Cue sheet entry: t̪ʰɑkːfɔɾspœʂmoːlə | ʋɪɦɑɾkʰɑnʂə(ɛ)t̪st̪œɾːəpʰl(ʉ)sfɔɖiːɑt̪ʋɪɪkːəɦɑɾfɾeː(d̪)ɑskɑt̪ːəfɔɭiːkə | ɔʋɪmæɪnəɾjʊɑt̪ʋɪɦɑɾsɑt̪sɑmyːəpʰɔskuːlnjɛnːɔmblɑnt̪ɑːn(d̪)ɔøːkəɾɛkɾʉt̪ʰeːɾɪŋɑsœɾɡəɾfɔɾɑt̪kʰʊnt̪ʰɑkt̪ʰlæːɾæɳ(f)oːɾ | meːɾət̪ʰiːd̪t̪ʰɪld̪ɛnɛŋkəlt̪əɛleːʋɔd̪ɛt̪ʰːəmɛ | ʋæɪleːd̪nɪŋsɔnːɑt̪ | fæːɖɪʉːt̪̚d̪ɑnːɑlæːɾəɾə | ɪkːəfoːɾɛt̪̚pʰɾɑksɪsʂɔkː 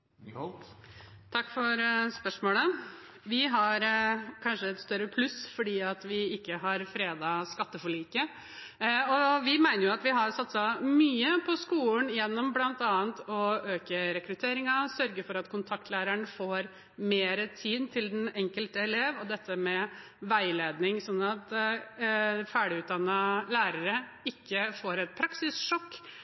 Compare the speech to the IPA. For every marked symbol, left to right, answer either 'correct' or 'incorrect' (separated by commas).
correct, correct, correct, incorrect, correct